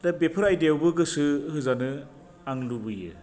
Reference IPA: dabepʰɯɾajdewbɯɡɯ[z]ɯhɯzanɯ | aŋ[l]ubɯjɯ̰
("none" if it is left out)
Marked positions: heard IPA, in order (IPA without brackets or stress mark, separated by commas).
s, l